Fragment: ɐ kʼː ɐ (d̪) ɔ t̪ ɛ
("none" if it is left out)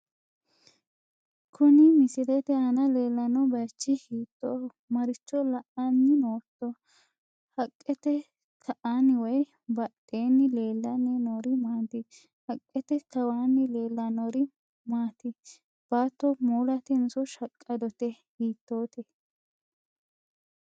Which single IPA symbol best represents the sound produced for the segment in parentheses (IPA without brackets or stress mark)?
d̪